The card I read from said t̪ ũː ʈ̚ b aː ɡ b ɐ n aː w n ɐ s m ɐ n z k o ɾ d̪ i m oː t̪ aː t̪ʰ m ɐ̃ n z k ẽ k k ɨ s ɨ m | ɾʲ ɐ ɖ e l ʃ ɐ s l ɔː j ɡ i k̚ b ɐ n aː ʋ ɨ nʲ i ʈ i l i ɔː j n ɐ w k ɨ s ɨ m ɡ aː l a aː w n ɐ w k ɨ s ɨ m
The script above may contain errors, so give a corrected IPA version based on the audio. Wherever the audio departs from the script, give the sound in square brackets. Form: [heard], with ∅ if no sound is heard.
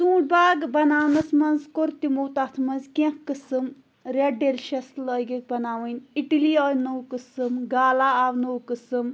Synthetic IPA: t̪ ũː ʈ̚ b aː ɡ b ɐ n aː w n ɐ s m ɐ n z k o ɾ [t̪] i m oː t̪ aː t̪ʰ m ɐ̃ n z k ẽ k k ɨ s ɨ m | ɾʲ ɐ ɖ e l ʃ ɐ s l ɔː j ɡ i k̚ b ɐ n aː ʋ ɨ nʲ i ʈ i l i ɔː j n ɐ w k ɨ s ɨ m ɡ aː l a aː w n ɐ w k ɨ s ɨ m

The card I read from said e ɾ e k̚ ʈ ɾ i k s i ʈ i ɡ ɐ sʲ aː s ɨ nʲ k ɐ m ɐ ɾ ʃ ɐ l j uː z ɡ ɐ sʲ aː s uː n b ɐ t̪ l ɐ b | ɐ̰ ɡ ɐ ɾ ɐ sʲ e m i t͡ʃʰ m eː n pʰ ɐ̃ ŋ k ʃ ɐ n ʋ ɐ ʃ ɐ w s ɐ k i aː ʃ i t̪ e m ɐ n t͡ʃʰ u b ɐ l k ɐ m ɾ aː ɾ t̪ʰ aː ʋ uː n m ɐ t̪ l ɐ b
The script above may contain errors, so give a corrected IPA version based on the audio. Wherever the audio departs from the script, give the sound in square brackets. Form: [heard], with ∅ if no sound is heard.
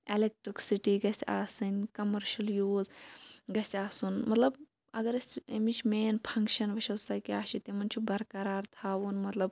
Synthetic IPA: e [l] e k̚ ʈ ɾ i k s i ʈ i ɡ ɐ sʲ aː s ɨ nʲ k ɐ m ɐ ɾ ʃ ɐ l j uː z ɡ ɐ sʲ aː s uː n [m] ɐ t̪ l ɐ b | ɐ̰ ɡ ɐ ɾ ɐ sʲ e m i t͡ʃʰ m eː n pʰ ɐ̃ ŋ k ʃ ɐ n ʋ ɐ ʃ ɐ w s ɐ k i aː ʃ i t̪ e m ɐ n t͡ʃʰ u b ɐ [ɾ] k ɐ [∅] ɾ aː ɾ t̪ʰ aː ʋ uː n m ɐ t̪ l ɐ b

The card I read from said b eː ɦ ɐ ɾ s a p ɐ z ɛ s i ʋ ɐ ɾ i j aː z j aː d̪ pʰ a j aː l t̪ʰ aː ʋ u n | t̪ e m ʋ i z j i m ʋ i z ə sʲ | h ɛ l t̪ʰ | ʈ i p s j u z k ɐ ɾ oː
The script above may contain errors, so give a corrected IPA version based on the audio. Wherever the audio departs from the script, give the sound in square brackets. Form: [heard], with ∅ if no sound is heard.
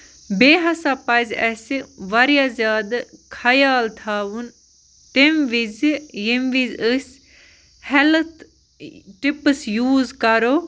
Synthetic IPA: b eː ɦ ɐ [∅] s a p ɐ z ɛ s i ʋ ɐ ɾ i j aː z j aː d̪ [kʰ] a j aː l t̪ʰ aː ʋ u n | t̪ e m ʋ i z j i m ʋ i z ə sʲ | h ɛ l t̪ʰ | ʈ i p s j [uː] z k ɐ ɾ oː

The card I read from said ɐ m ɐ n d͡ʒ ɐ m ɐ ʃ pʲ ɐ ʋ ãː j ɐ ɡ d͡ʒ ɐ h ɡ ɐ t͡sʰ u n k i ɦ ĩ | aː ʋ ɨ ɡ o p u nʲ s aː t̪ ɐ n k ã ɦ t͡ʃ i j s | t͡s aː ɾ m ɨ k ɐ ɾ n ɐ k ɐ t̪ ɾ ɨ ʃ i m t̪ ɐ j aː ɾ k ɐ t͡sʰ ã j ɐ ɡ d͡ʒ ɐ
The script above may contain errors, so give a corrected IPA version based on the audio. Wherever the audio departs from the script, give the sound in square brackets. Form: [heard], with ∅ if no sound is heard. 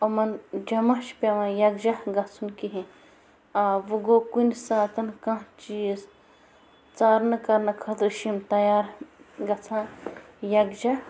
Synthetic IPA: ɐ m ɐ n d͡ʒ ɐ m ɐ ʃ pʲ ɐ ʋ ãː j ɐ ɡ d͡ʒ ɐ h ɡ ɐ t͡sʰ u n k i ɦ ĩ | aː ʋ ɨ ɡ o [k] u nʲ s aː t̪ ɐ n k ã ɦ t͡ʃ i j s | t͡s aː ɾ [n] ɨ k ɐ ɾ n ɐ [kʰ] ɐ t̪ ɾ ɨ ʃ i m t̪ ɐ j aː ɾ [ɡ] ɐ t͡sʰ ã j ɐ ɡ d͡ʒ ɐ

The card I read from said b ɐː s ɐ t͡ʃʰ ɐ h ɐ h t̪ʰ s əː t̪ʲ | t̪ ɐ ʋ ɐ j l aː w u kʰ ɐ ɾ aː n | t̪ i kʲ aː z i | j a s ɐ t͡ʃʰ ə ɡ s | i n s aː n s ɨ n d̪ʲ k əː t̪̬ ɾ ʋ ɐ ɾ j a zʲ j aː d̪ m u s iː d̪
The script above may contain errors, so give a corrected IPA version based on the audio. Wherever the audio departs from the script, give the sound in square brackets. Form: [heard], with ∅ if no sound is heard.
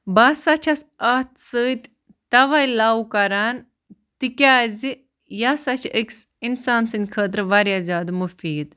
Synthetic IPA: b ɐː s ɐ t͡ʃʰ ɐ [s] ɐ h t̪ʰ s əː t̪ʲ | t̪ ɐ ʋ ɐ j l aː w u [k] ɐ ɾ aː n | t̪ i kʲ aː z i | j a s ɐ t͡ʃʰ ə [k] s | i n s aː n s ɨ n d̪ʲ [kʰ] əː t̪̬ ɾ ʋ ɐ ɾ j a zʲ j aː d̪ m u [f] iː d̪

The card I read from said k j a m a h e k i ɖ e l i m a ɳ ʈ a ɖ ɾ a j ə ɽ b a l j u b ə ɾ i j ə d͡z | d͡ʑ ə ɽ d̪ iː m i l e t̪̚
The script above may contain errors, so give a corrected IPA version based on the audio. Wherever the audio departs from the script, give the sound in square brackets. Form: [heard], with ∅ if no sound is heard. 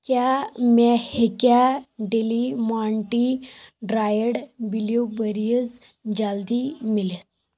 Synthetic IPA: k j a m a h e k [a] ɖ e l i m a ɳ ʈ [i] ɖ ɾ a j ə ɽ b [i] l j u b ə ɾ i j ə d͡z | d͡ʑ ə [l] d̪ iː m i l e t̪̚

